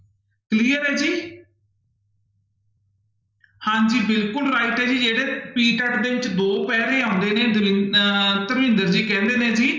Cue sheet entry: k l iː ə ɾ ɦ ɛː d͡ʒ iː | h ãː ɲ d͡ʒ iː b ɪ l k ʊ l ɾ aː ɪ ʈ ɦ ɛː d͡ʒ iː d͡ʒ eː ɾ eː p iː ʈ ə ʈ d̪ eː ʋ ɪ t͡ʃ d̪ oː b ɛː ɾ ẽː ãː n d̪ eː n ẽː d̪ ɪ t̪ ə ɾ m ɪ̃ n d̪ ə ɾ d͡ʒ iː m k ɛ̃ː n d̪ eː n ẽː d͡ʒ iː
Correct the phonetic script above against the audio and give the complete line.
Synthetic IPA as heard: k l iː ə ɾ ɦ ɛː d͡ʒ iː | h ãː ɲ d͡ʒ iː b ɪ l k ʊ l ɾ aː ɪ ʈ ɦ ɛː d͡ʒ iː d͡ʒ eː ɽ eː p iː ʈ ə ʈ d̪ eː ʋ ɪ t͡ʃ d̪ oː p ɛː ɾ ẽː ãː n d̪ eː n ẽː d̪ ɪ t̪ ə ɾ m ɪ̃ n d̪ ə ɾ d͡ʒ iː k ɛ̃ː n d̪ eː n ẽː d͡ʒ iː